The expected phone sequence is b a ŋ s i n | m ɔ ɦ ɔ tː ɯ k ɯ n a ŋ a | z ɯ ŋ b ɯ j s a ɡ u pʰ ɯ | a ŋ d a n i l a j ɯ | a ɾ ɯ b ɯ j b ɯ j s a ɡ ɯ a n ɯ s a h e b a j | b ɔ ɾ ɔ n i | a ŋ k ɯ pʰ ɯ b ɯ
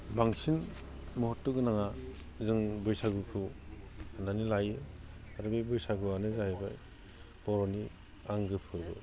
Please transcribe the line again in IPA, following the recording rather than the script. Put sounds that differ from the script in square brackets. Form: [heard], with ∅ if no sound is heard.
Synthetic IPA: b a ŋ s i n | m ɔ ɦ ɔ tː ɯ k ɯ n a ŋ a | z ɯ ŋ b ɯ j s a ɡ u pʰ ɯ | a [n] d a n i l a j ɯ | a ɾ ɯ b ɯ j b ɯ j s a ɡ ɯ a n ɯ [z] a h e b a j | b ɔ ɾ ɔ n i | a ŋ [ɡ] ɯ pʰ ɯ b ɯ